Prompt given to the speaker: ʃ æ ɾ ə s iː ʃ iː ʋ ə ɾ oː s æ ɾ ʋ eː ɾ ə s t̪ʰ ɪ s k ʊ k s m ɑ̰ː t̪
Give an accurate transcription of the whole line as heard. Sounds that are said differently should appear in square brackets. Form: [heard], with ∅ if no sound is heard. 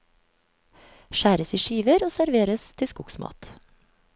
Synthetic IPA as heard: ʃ [æː] ɾ ə s iː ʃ iː ʋ ə ɾ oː s æ ɾ ʋ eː ɾ ə s t̪ʰ ɪ s k ʊ k s m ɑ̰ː t̪

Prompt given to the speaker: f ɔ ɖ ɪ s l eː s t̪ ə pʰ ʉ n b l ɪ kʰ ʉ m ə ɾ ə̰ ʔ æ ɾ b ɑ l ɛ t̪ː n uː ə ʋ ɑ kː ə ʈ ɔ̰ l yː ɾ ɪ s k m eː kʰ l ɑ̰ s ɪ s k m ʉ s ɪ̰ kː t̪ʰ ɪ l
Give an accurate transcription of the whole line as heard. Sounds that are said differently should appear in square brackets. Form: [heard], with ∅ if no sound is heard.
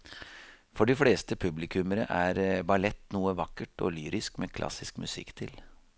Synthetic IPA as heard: f ɔ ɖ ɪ [f] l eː s t̪ ə pʰ ʉ [∅] b l ɪ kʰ ʉ m ə ɾ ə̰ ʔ æ ɾ b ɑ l ɛ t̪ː n uː ə ʋ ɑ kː ə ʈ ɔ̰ l yː ɾ ɪ s k m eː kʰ l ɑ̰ s ɪ s k m ʉ s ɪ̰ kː t̪ʰ ɪ l

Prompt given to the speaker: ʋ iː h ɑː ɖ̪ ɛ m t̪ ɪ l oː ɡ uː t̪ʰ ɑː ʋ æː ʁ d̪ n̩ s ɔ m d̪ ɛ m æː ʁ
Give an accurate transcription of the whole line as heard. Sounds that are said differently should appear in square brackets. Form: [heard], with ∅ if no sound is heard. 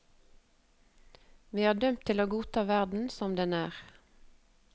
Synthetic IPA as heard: ʋ iː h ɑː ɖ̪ [œ] m [t̪ʰ] ɪ l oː ɡ uː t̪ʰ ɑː ʋ [æ] ʁ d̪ n̩ s ɔ m d̪ ɛ [n] æː ʁ

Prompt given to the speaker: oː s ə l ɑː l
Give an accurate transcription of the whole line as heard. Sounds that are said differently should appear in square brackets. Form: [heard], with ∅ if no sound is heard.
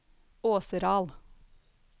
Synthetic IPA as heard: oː s ə [ɾ] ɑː l

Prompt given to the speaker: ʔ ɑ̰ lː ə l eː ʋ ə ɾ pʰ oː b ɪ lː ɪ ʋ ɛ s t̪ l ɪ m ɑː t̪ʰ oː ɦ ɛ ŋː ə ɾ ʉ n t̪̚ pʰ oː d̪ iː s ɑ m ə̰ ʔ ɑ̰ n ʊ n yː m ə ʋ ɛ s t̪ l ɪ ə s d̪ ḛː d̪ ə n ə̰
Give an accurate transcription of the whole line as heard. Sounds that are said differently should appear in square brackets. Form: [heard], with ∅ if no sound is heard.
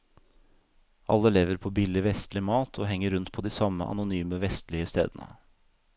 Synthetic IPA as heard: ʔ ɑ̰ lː ə l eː ʋ ə ɾ pʰ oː b ɪ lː ɪ ʋ ɛ s t̪ l ɪ m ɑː t̪ʰ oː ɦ ɛ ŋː ə ɾ ʉ n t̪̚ pʰ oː d̪ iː s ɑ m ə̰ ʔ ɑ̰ n ʊ n yː m ə ʋ ɛ s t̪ l ɪ ə s [t̪] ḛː d̪ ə n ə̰

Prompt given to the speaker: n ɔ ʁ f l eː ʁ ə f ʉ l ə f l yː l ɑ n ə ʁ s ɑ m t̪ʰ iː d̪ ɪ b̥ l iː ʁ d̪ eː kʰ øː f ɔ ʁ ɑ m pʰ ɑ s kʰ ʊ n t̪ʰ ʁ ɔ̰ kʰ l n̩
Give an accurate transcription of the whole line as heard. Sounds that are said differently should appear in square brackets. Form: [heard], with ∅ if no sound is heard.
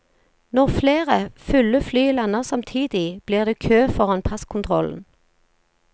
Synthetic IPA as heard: n ɔ ʁ f l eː ʁ ə f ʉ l ə f l yː l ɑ n ə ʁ s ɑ m t̪ʰ iː d̪ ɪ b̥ l iː ʁ d̪ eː kʰ øː f ɔ ʁ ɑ [n] pʰ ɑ s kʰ ʊ n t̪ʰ ʁ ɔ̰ [∅] l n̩

